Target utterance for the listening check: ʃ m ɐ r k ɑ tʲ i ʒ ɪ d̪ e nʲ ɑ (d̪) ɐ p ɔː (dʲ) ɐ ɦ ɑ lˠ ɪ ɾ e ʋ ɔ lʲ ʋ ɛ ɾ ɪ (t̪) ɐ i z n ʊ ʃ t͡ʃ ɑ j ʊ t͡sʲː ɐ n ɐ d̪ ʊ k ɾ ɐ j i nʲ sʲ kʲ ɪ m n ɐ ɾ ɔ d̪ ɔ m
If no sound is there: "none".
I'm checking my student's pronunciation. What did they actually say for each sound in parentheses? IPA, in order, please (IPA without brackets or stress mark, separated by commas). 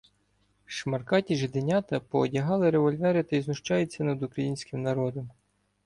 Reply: t̪, dʲ, t̪